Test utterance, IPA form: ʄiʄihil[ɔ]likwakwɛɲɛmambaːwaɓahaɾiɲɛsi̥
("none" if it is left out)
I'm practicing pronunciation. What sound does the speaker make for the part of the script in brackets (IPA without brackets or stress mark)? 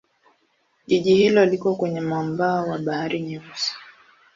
ɔ